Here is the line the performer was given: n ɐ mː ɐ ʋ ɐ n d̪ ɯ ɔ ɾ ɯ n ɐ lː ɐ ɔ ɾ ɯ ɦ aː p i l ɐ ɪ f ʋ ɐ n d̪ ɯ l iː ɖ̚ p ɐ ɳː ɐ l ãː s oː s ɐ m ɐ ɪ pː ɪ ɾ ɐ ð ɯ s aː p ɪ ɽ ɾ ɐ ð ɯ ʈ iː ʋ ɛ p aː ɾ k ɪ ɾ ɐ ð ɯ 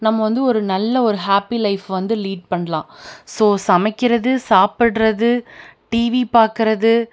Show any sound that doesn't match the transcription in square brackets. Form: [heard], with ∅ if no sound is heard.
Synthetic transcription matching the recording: n ɐ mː ɐ ʋ ɐ n d̪ ɯ ɔ ɾ ɯ n ɐ lː ɐ ɔ ɾ ɯ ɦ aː p i l ɐ ɪ f ʋ ɐ n d̪ ɯ l iː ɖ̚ p ɐ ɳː ɐ l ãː s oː s ɐ m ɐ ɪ [kː] ɪ ɾ ɐ ð ɯ s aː p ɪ ɽ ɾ ɐ ð ɯ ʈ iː ʋ [i] p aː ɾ k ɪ ɾ ɐ ð ɯ